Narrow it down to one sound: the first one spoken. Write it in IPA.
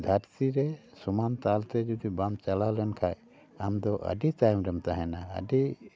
d̪ʱ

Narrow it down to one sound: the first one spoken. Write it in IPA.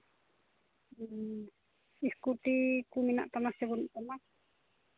i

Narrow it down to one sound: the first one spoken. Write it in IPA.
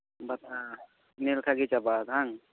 b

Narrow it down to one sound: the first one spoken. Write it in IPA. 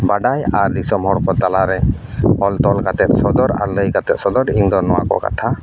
b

